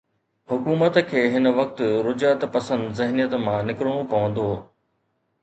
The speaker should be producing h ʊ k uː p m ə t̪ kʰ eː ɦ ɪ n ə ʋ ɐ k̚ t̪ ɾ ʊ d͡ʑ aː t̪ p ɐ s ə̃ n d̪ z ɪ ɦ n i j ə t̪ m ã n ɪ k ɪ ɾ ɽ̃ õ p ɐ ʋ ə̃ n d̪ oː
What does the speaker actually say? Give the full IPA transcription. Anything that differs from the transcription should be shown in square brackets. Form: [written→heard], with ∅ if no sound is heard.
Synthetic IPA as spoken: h ʊ k uː [p→∅] m ə t̪ kʰ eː ɦ ɪ n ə ʋ ɐ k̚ t̪ ɾ ʊ d͡ʑ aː t̪ p ɐ s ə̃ n d̪ z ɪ ɦ n i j ə t̪ m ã n ɪ k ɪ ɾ ɽ̃ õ p ɐ ʋ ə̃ n d̪ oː